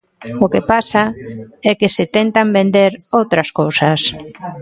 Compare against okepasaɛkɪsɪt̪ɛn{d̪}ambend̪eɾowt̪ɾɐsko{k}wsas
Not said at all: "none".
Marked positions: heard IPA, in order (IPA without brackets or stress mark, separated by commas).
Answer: t̪, none